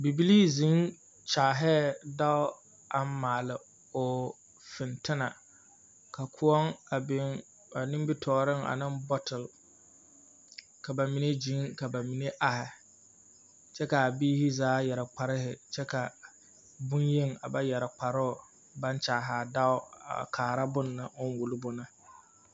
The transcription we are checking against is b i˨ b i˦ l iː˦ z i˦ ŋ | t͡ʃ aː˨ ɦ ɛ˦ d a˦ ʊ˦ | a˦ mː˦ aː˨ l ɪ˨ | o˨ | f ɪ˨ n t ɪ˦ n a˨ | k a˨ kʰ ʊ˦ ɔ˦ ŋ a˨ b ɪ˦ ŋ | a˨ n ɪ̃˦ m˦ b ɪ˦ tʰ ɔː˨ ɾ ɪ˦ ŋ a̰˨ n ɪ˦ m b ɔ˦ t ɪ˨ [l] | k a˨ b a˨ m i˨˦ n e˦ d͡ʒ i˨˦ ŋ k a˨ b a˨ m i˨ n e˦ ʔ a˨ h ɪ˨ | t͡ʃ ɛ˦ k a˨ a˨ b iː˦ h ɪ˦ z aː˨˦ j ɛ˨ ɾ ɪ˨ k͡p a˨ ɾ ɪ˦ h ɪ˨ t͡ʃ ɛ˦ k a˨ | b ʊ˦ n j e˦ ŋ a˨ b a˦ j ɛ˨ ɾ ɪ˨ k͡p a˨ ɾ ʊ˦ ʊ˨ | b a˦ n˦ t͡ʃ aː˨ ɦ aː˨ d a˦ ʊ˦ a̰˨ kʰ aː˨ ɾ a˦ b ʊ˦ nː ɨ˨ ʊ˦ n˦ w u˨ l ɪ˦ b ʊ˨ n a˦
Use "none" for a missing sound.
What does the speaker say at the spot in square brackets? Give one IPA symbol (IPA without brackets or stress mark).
l